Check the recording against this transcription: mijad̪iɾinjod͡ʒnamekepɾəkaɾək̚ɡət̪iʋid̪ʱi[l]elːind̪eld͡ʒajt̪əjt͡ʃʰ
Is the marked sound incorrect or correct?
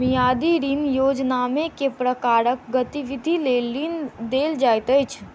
correct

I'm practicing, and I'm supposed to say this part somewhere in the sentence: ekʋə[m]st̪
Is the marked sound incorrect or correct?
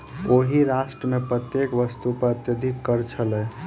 incorrect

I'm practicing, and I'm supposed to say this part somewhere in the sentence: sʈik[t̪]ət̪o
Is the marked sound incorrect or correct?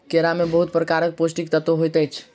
correct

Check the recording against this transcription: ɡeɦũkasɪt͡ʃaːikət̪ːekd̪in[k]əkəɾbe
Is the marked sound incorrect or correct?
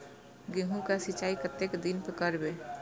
incorrect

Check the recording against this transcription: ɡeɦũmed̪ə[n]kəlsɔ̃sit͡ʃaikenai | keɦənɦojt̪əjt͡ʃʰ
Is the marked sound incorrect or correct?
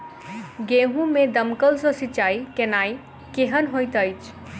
incorrect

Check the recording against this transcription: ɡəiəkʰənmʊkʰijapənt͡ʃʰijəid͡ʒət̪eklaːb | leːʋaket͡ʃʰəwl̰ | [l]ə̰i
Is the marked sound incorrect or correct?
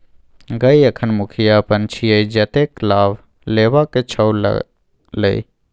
correct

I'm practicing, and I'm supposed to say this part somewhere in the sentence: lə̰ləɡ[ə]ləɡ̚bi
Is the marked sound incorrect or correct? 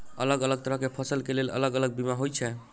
correct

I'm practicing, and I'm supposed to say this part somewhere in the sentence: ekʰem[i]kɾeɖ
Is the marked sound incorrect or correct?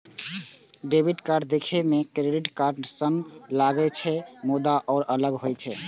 incorrect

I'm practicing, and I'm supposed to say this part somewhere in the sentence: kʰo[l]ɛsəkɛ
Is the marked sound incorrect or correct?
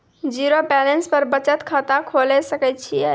correct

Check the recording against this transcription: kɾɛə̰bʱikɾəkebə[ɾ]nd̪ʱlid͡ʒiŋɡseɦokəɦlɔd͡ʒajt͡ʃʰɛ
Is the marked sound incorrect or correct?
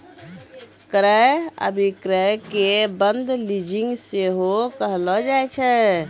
incorrect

